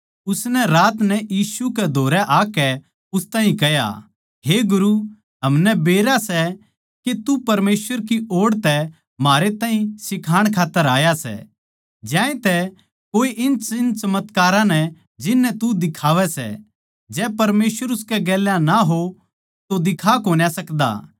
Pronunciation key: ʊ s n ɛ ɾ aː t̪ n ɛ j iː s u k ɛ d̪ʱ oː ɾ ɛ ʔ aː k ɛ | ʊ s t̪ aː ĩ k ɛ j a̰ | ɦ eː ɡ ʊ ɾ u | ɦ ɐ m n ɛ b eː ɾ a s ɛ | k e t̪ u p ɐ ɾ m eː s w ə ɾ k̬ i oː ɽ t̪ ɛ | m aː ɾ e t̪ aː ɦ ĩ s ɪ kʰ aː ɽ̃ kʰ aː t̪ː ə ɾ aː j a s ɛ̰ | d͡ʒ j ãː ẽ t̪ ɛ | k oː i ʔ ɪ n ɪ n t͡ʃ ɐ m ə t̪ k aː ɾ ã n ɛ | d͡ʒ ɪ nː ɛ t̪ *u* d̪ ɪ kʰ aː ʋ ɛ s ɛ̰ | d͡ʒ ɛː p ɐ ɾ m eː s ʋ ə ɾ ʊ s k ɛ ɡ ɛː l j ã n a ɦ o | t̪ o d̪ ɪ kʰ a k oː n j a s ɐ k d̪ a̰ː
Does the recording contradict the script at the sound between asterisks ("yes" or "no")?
no